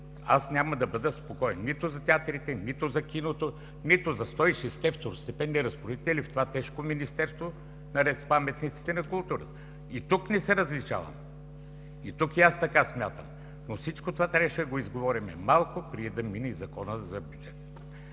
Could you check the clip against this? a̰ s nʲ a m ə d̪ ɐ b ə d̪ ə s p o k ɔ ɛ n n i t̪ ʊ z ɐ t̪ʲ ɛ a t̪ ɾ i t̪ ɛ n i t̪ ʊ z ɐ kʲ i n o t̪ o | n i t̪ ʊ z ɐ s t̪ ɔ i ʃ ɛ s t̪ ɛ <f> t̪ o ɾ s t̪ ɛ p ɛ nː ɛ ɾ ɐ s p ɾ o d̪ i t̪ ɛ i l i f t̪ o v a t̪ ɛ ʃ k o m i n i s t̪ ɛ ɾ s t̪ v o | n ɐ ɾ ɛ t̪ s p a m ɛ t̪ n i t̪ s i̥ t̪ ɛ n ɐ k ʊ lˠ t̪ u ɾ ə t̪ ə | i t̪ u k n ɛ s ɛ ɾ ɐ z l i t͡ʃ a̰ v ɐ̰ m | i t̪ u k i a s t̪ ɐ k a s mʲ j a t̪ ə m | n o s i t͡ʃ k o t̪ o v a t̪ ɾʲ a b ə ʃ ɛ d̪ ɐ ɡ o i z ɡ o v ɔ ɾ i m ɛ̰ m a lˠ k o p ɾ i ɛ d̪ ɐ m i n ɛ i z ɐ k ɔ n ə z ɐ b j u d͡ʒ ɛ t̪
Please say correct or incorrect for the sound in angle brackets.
correct